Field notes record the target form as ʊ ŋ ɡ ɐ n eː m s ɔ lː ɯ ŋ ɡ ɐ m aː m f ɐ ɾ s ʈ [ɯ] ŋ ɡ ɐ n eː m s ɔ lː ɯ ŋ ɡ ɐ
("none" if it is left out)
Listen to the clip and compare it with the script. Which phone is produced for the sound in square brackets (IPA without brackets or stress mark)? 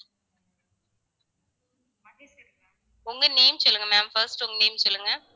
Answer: ʊ